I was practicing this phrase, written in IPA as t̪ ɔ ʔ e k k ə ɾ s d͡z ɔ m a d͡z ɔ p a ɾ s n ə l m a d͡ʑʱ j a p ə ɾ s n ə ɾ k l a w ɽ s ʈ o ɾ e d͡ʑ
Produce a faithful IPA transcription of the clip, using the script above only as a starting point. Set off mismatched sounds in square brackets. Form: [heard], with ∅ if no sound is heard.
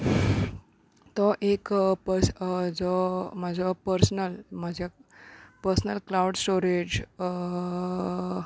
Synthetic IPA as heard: t̪ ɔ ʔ e k [p] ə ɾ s d͡z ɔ m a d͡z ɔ p [ə] ɾ s n ə l m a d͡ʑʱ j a p ə ɾ s n ə [l] k l a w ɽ s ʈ o ɾ e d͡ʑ